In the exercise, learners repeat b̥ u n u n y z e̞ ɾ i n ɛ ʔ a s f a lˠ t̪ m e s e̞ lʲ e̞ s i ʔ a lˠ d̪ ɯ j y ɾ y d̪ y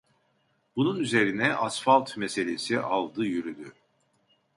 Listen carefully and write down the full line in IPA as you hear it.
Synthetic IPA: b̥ u n u n y z e̞ ɾ i n ɛ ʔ a s f a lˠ t̪ m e s e̞ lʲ e̞ s i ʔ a lˠ d̪ ɯ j y ɾ y d̪ y